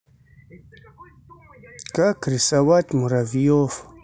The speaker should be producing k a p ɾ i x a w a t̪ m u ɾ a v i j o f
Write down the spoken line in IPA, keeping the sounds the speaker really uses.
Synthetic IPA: k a k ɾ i s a w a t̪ m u ɾ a v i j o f